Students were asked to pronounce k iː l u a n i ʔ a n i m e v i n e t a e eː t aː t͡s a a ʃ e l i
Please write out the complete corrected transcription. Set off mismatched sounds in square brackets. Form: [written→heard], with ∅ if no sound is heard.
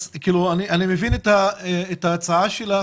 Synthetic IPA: k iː l u a n i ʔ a n i m e v i n e t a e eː t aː t͡s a a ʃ e l [i→a]

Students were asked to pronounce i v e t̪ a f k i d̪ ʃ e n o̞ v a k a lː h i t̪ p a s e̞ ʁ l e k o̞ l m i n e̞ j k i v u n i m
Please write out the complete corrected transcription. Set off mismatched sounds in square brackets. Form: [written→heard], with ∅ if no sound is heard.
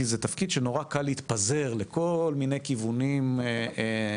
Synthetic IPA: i [v→z] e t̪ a f k i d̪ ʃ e n o̞ [v→ʁ] a k a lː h i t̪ p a [s→z] e̞ ʁ l e k o̞ l m i n e̞ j k i v u n i m

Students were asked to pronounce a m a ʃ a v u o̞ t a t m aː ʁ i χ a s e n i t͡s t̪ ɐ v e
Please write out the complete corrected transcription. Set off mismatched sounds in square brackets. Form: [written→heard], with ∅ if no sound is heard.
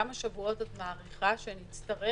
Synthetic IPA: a m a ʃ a v u o̞ t a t m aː ʁ i χ a [s→ʃ] e n i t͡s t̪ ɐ [v→ʁ] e

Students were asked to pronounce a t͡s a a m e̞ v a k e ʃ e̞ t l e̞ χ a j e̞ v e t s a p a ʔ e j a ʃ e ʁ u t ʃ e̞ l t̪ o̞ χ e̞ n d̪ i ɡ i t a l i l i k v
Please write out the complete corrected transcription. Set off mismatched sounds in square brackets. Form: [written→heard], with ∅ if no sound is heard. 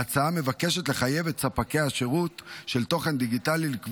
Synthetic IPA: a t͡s a a m e̞ v a k e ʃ e̞ t l e̞ χ a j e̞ v e t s a p a [ʔ→k] e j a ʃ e ʁ u t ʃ e̞ l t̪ o̞ χ e̞ n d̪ i ɡ i t a l i l i k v

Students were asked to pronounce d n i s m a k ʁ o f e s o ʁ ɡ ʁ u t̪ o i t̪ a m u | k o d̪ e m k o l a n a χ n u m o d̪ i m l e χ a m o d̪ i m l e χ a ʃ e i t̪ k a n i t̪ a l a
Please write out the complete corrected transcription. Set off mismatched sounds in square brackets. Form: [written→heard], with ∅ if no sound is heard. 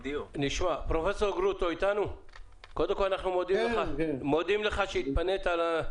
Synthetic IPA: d n i [s→ʃ] m a [k→p] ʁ o f e s o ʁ ɡ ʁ u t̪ o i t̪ a [m→n] u | k o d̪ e m k o l a n a χ n u m o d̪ i m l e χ a m o d̪ i m l e χ a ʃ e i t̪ [k→p] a n [i→e] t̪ a l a

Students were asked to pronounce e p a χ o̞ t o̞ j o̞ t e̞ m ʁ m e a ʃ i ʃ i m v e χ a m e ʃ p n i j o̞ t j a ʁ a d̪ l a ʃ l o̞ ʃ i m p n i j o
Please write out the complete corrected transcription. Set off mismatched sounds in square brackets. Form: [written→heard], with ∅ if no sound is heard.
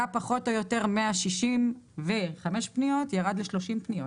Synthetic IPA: [e→a] p a χ o̞ t o̞ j o̞ t e̞ [m→∅] ʁ m e a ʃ i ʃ i m v e χ a m e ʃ p n i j o̞ t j a ʁ a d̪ l [a→e] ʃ l o̞ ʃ i m p n i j o

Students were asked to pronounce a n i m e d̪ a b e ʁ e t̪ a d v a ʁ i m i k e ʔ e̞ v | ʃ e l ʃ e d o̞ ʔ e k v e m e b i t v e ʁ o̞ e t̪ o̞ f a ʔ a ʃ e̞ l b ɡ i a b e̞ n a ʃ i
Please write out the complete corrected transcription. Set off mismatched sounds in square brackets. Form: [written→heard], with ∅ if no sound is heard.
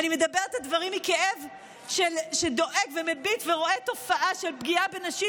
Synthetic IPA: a n i m e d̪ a b e ʁ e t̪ a d v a ʁ i m i k e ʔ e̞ v | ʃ e l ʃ e d o̞ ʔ e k v e m e b i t v e ʁ o̞ e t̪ o̞ f a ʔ a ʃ e̞ l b ɡ i a b e̞ n a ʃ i

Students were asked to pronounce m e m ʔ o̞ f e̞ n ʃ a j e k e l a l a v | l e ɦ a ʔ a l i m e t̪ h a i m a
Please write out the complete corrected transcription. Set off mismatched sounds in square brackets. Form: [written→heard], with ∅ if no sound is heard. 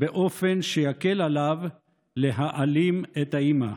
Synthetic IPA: [m→b] e [m→∅] ʔ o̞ f e̞ n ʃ [a→e] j [e→a] k e l a l a v | l e ɦ a ʔ a l i m e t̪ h a i m a

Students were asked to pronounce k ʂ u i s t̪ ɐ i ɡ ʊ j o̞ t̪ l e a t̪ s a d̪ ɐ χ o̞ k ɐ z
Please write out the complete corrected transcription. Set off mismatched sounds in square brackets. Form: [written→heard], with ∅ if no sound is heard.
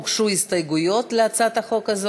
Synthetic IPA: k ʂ u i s t̪ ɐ [i→j] ɡ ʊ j o̞ t̪ l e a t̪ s a [d̪→t̪] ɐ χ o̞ k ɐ z

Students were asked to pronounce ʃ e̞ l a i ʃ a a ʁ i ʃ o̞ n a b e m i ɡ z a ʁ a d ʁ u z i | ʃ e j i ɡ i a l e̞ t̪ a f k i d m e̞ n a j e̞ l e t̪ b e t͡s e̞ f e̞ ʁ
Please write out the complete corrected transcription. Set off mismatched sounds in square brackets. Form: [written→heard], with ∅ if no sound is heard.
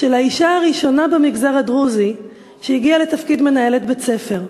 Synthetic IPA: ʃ e̞ l a i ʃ a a ʁ i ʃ o̞ n a b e m i ɡ z a ʁ a d ʁ u z i | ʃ e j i ɡ i a l e̞ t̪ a f k i d m e̞ n a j e̞ l e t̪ b e t͡s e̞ f e̞ ʁ

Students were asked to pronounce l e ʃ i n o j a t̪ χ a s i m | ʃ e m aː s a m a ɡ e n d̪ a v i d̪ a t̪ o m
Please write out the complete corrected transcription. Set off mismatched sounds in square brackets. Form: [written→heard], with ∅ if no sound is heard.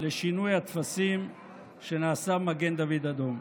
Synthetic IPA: l e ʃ i n [o→u] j a t̪ [χ→f] a s i m | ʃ e [m→n] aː s a m a ɡ e n d̪ a v i d̪ a [t̪→d̪] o m

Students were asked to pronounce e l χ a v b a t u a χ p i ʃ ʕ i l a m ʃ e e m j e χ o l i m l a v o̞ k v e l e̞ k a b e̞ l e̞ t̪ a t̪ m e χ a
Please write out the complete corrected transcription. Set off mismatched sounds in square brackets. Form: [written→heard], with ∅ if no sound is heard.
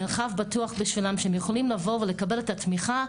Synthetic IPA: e l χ a v b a t u a χ [p→b] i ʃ [ʕ→v] i l a m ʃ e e m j e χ o l i m l a v o̞ [k→∅] v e l e̞ k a b e̞ l e̞ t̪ a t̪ m [e→i] χ a

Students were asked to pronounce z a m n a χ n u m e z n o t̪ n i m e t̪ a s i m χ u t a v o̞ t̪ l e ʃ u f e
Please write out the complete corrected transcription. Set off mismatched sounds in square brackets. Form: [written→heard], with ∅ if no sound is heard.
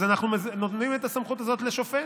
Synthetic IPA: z a [m→∅] n a χ n u m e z n o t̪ n i m e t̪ a s [i→a] m χ u t a [v→z] o̞ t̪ l e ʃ [u→o] f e

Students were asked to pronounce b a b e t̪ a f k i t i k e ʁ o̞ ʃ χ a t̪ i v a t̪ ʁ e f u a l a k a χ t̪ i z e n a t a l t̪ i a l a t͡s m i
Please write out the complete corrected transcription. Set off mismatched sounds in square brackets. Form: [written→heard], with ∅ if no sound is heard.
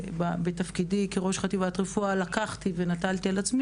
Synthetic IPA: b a b e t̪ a f k i [t→d] i k e ʁ o̞ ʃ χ a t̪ i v a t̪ ʁ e f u a l a k a χ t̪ i [z→v] e n a t a l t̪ i a l a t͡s m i

